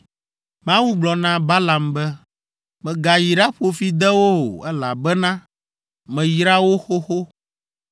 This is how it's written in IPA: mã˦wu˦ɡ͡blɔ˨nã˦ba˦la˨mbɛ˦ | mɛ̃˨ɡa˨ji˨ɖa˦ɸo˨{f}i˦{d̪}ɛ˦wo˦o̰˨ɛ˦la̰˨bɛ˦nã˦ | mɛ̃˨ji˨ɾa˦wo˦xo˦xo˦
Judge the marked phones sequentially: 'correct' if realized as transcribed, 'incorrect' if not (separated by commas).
correct, correct